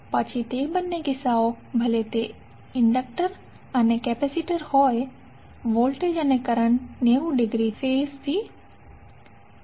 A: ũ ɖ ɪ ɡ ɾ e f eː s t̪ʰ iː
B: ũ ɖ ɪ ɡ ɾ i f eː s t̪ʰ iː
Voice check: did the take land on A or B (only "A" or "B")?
B